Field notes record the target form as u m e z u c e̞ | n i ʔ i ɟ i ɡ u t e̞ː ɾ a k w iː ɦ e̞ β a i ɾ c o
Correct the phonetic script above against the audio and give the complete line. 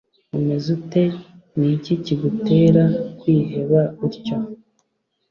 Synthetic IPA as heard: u m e z u t e̞ | n i c i c i ɡ u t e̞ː ɾ a k w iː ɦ e̞ β a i ɾ c o